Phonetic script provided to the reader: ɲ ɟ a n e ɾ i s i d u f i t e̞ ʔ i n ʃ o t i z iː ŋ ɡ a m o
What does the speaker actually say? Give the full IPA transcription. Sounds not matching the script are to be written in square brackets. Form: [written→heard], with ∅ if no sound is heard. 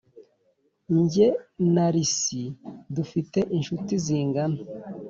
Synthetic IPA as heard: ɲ ɟ [a→e] n [e→a] ɾ i s i d u f i t e̞ ʔ i n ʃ [o→u] t i z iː ŋ ɡ a [m→n] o